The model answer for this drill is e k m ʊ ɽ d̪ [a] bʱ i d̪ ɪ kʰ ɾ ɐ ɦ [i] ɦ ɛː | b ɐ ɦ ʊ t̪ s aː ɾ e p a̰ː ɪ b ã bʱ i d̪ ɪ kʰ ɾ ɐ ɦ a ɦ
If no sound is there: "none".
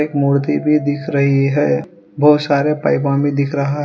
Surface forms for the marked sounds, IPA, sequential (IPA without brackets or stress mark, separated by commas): i, i